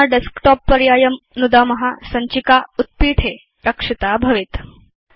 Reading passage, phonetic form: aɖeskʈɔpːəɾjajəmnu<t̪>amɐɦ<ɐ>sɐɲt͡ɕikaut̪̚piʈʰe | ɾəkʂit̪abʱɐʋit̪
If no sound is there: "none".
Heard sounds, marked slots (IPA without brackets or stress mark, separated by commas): d̪, a